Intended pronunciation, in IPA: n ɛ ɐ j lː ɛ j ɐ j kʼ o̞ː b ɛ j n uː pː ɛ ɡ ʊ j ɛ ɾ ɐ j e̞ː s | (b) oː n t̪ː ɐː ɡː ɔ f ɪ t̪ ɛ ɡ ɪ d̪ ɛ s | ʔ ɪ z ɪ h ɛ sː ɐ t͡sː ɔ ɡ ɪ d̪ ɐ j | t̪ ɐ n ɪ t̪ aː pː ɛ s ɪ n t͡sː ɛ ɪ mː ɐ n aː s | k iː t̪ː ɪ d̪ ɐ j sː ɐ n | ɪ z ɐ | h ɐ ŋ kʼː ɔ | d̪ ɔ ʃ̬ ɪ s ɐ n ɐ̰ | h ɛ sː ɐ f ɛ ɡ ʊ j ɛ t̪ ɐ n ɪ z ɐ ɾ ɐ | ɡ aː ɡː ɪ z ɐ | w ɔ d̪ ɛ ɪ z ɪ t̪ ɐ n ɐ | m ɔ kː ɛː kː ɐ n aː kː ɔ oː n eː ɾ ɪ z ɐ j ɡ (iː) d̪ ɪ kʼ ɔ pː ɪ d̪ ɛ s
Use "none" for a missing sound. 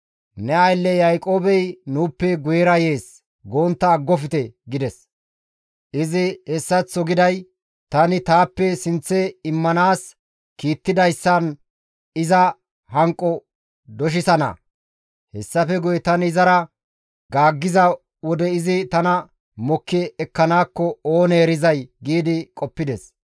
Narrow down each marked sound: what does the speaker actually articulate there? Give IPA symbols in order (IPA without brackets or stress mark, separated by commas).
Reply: ɡ, iː